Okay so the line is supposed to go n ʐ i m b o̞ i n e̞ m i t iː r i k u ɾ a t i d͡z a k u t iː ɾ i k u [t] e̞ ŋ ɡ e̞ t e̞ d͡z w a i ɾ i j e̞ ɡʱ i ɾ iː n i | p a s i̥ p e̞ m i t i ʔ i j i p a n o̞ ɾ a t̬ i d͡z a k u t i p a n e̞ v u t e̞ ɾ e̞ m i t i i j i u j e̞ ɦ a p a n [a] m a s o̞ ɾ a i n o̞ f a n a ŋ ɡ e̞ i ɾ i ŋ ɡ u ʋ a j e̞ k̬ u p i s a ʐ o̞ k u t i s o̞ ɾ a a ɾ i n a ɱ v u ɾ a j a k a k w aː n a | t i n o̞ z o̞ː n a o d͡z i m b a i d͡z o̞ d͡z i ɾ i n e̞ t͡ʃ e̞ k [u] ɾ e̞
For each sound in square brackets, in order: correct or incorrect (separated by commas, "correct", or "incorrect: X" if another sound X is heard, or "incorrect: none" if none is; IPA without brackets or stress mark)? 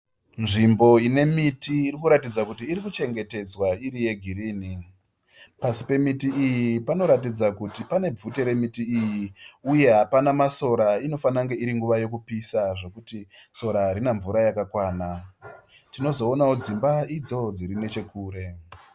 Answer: incorrect: t͡ʃ, correct, incorrect: uː